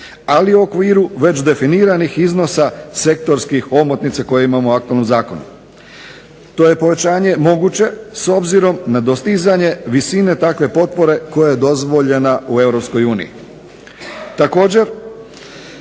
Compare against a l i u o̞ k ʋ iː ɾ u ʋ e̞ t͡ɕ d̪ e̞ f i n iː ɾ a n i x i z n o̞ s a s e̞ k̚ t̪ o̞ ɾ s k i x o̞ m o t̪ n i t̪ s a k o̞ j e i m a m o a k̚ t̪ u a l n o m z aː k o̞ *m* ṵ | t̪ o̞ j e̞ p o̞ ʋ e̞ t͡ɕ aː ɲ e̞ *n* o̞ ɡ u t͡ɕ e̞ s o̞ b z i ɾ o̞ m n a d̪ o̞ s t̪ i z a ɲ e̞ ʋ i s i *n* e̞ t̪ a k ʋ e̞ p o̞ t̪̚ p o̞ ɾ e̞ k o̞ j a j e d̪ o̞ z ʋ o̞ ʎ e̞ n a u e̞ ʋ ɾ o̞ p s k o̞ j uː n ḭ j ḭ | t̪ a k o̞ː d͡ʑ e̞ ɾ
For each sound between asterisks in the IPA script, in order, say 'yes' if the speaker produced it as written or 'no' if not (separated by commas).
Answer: no, no, yes